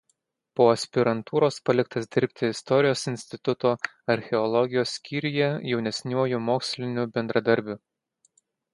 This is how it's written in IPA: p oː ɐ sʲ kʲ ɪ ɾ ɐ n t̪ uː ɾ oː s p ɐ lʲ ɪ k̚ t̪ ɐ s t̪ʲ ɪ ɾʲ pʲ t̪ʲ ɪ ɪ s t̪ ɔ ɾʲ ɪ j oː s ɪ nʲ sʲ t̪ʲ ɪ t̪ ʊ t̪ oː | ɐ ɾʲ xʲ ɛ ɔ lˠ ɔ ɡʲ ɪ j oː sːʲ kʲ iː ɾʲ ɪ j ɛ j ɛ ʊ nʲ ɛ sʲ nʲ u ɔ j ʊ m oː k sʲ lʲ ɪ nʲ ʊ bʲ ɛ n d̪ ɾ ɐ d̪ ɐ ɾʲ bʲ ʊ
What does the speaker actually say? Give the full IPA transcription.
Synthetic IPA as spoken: p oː ɐ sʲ pʲ ɪ ɾ ɐ n t̪ uː ɾ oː s p ɐ lʲ ɪ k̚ t̪ ɐ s d̪ʲ ɪ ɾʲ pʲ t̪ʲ ɪ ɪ s t̪ ɔ ɾʲ ɪ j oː s ɪ nʲ sʲ t̪ʲ ɪ t̪ ʊ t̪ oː | ɐ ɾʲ xʲ ɛ ɔ lˠ ɔ ɡʲ ɪ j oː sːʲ kʲ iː ɾʲ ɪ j ɛ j ɛ ʊ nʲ ɛ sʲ nʲ u ɔ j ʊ m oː k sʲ lʲ ɪ nʲ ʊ bʲ ɛ n d̪ ɾ ɐ d̪ ɐ ɾʲ bʲ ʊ